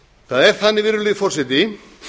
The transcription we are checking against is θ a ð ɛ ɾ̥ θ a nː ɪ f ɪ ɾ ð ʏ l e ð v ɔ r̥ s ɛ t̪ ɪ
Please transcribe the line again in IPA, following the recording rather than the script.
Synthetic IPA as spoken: θ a ð ɛ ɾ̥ θ a nː ɪ v ɪ ɾ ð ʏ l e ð f ɔ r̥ s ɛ t̪ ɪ